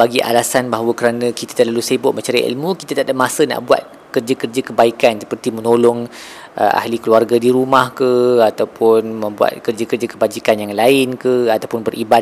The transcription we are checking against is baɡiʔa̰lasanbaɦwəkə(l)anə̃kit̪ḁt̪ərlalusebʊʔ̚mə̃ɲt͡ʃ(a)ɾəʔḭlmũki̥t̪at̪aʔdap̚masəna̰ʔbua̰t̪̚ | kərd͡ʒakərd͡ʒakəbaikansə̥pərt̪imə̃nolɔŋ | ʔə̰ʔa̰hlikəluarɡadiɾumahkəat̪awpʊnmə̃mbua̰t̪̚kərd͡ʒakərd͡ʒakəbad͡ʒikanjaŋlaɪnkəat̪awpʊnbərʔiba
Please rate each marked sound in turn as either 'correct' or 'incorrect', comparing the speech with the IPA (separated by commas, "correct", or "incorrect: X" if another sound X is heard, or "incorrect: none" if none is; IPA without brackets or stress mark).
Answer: incorrect: ɾ, correct